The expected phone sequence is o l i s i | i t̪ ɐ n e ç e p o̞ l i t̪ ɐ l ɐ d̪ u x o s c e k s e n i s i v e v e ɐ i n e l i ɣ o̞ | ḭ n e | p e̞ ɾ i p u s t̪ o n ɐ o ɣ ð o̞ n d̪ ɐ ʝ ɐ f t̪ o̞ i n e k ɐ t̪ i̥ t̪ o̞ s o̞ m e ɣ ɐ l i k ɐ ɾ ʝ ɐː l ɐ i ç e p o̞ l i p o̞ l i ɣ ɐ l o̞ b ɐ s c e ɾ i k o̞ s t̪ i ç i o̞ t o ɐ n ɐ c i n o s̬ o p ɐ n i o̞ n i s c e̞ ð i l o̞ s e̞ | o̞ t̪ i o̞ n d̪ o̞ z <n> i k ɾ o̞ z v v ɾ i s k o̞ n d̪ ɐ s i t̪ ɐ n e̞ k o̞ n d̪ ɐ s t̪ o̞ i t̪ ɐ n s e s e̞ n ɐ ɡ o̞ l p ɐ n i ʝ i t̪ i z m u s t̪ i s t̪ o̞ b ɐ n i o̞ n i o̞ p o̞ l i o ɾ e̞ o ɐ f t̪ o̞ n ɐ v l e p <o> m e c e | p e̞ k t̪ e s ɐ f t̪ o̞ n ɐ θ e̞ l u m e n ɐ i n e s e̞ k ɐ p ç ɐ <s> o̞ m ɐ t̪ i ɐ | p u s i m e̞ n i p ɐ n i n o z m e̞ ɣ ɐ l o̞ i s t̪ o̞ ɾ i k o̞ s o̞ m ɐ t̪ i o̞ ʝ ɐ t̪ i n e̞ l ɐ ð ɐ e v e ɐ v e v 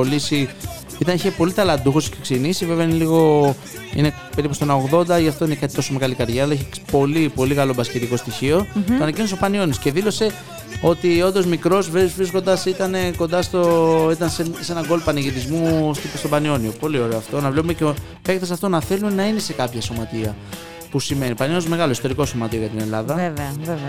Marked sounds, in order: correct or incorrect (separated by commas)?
incorrect, incorrect, correct